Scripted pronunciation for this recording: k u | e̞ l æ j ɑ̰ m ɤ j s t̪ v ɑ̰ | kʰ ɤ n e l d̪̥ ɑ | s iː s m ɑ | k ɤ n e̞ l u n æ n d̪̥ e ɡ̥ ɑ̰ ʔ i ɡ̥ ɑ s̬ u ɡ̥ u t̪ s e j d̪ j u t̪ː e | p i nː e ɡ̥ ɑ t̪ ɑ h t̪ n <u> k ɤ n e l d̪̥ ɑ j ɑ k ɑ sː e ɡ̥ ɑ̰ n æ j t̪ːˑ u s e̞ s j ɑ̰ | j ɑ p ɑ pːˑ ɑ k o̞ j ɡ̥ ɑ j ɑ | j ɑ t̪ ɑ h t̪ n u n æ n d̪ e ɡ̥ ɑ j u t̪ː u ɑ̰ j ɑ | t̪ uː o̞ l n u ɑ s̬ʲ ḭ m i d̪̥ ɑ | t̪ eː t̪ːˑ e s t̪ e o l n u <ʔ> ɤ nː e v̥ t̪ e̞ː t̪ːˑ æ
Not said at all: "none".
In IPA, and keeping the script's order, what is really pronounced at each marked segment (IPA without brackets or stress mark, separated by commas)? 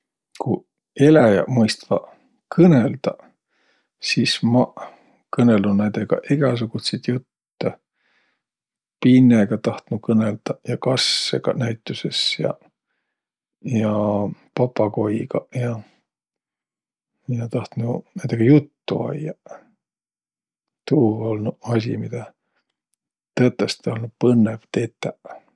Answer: u, p